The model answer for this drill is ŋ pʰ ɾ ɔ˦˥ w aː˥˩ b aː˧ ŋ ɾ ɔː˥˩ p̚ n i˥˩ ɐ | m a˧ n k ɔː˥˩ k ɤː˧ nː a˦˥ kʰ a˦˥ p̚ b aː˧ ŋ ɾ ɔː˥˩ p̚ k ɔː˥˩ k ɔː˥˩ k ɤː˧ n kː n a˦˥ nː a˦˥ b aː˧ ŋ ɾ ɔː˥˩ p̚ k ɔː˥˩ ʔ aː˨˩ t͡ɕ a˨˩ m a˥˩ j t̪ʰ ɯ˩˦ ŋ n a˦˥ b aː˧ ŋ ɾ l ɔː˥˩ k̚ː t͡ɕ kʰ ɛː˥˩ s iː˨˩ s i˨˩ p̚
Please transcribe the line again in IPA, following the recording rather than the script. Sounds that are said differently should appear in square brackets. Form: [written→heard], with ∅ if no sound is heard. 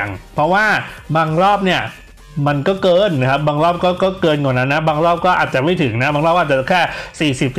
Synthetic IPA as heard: ŋ pʰ ɾ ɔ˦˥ w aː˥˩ b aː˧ ŋ ɾ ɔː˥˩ p̚ n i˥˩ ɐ | m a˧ n k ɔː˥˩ k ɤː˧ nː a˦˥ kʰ a˦˥ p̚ b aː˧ ŋ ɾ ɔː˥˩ p̚ k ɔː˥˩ k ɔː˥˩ k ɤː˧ n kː n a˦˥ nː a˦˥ b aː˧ ŋ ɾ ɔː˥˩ p̚ k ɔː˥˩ ʔ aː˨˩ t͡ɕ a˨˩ m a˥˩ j t̪ʰ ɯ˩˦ ŋ n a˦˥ b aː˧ ŋ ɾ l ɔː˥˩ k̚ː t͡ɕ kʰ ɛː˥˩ s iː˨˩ s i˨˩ p̚